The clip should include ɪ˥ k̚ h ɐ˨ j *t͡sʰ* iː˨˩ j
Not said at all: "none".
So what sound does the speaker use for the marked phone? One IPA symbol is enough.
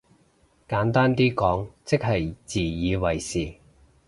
t͡s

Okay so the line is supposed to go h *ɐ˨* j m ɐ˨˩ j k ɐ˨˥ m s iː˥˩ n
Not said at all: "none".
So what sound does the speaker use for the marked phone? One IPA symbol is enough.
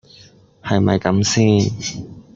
ɐ˨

